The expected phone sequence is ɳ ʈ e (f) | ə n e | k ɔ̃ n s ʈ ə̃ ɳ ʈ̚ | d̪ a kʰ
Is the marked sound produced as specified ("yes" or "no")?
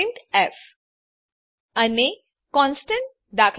yes